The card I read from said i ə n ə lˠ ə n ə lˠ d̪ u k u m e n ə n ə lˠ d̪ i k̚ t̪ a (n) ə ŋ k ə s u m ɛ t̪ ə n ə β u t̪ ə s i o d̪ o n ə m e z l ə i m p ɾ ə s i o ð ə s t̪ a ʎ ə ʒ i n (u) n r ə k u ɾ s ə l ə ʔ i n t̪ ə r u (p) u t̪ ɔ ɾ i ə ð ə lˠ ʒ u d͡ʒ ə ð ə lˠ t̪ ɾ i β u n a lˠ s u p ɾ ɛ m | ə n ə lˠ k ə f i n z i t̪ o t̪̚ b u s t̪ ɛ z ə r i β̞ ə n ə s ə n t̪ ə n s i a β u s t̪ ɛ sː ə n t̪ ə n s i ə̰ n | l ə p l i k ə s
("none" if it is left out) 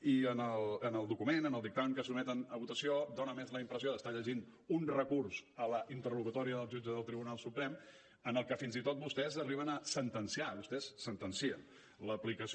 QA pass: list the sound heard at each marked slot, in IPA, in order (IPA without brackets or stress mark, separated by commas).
m, u, k